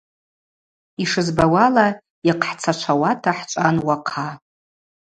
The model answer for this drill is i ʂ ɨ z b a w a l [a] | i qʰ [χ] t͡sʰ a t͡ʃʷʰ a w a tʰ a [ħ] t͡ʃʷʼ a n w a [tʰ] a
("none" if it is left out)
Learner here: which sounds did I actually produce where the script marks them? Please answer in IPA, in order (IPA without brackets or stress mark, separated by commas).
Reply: a, ħ, ħ, qʰ